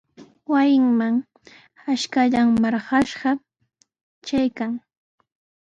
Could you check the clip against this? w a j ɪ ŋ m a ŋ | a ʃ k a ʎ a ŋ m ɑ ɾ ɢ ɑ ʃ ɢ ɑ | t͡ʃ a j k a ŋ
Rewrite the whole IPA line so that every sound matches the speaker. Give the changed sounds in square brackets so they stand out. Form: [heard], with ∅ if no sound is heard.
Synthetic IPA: w a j ɪ ŋ m a ŋ | a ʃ k a ʎ a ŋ m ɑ ɾ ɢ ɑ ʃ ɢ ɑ | t͡ʃ a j k a ŋ